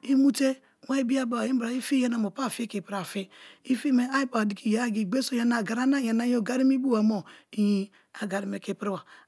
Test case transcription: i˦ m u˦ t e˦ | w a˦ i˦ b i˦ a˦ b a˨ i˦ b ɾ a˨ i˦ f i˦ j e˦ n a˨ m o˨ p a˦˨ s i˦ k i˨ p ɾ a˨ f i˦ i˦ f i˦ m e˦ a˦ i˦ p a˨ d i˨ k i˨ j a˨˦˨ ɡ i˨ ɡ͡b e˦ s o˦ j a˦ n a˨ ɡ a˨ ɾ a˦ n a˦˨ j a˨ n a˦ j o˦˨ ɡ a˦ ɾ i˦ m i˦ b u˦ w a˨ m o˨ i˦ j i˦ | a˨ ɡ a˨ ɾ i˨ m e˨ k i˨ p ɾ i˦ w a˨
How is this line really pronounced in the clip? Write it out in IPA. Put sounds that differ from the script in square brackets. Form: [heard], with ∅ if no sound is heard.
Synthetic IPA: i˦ m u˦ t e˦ | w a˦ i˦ b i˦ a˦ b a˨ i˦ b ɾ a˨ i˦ f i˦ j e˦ n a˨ m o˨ p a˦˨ [f] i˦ k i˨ p ɾ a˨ f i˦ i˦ f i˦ m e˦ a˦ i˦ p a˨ d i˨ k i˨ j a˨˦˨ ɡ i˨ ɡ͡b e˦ s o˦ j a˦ n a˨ ɡ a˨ ɾ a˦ n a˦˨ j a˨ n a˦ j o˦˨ ɡ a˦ ɾ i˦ m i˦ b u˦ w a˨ m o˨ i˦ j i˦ | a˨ ɡ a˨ ɾ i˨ m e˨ k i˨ p ɾ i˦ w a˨